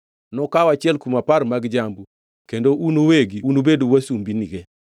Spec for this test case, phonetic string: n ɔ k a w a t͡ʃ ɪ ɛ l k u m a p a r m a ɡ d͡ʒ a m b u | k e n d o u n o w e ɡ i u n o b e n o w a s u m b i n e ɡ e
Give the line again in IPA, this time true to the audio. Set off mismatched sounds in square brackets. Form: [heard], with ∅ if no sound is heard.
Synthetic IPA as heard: n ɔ k a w a t͡ʃ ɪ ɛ l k u m a p a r m a ɡ d͡ʒ a m b u | k e n d o u n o w e ɡ i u n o b e [d] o w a s u m b i n [i] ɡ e